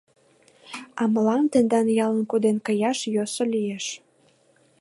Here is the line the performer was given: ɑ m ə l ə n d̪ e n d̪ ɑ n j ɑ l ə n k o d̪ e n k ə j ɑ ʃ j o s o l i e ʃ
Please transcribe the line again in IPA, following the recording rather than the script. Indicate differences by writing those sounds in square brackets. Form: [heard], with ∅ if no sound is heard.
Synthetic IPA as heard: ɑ m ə l [ɑ] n [t̪] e n d̪ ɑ n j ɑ l ə n k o d̪ e n k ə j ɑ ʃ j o s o l i e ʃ